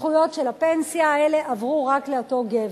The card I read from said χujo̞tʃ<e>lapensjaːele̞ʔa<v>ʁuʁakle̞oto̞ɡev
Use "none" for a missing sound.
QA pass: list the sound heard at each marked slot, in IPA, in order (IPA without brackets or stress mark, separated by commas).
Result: e, v